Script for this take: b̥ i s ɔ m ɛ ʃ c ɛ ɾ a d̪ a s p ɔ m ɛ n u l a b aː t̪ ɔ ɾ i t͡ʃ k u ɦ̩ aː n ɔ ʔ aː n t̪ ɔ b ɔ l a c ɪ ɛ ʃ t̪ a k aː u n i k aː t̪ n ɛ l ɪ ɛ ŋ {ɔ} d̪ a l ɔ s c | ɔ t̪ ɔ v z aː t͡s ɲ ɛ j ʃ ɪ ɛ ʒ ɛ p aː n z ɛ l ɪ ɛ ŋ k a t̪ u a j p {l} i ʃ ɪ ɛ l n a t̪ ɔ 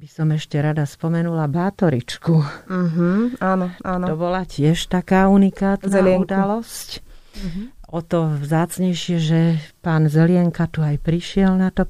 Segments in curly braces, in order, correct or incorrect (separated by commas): incorrect, incorrect